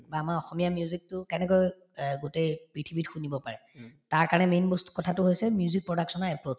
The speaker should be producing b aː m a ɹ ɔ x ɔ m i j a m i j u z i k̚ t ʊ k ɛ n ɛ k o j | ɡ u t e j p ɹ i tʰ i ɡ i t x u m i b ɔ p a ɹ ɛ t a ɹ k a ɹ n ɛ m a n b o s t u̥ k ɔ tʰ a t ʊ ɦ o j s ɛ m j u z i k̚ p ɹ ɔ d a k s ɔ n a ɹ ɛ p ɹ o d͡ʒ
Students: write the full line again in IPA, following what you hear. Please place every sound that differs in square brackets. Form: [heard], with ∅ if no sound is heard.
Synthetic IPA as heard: b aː m a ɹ ɔ x ɔ m i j a m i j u z i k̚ t ʊ k ɛ n ɛ k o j | ɡ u t e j p ɹ i tʰ i [b] i t x u [n] i b ɔ p a ɹ ɛ t a ɹ k a ɹ n ɛ m [e] n b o s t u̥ k ɔ tʰ a t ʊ ɦ o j s ɛ m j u z i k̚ p ɹ ɔ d a k s ɔ n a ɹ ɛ p ɹ o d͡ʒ